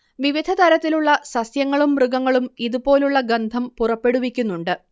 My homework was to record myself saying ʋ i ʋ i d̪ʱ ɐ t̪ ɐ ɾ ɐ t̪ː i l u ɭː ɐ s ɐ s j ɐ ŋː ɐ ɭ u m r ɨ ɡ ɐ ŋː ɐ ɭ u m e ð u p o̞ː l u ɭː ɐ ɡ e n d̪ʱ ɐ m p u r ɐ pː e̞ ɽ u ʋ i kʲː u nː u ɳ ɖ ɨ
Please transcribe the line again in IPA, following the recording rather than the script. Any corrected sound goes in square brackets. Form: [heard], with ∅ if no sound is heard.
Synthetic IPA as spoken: ʋ i ʋ i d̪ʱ ɐ t̪ ɐ ɾ ɐ t̪ː i l u ɭː ɐ s ɐ s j ɐ ŋː ɐ ɭ u m r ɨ ɡ ɐ ŋː ɐ ɭ u m [i] ð u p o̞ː l u ɭː ɐ ɡ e n d̪ʱ ɐ m p u r ɐ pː e̞ ɽ u ʋ i kʲː u nː u ɳ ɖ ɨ